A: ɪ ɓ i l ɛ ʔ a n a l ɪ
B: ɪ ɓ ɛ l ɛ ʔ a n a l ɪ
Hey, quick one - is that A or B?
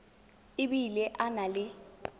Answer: A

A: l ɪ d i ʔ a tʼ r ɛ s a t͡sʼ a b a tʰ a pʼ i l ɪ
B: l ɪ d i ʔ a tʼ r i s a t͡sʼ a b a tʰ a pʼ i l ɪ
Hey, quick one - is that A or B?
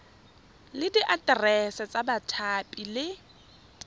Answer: A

